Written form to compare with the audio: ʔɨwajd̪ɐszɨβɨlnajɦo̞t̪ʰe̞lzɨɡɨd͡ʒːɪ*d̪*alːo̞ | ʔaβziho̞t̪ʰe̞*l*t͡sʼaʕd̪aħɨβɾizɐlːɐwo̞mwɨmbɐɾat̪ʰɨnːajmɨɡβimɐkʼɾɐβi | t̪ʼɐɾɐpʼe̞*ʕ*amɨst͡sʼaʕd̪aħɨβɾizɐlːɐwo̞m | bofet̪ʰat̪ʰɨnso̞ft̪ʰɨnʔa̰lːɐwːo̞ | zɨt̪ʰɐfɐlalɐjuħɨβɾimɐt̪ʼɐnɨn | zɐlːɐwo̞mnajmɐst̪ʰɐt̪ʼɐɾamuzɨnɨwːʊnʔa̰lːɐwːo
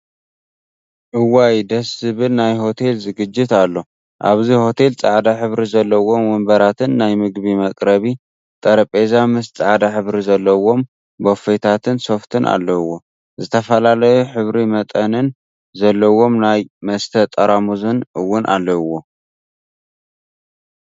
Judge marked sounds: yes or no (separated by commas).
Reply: no, yes, no